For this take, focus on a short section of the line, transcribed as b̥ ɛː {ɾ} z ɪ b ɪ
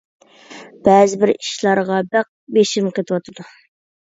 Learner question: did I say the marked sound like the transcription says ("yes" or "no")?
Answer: no